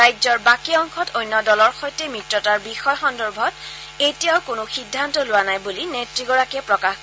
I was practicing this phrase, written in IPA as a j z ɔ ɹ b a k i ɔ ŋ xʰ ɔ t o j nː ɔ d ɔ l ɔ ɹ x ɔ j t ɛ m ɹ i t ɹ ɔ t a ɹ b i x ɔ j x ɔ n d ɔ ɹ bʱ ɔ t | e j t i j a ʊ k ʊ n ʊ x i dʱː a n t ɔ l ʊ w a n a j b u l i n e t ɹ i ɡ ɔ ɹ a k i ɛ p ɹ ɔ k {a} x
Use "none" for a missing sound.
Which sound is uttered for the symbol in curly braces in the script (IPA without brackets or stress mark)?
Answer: a